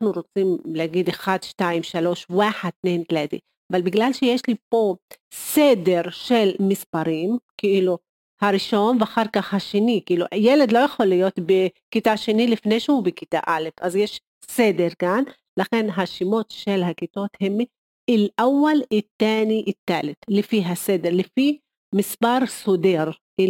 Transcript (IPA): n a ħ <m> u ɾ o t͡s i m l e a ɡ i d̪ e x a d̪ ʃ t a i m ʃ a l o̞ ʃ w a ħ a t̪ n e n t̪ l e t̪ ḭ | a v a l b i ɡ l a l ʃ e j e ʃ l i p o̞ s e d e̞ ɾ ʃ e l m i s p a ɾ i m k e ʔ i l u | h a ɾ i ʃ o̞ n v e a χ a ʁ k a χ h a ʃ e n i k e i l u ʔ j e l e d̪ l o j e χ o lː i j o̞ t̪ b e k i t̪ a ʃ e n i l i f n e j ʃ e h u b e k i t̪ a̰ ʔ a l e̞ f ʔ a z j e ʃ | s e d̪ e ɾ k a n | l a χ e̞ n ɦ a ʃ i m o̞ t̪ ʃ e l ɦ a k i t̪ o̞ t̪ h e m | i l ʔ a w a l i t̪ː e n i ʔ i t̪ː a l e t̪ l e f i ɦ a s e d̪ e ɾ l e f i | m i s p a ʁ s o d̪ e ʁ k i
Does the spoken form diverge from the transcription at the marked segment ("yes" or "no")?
yes